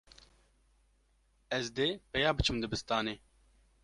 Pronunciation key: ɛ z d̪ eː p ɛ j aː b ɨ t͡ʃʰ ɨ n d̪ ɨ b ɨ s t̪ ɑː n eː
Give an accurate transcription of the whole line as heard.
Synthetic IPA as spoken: ɛ z d̪ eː p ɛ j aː b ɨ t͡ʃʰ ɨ m d̪ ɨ b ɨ s t̪ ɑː n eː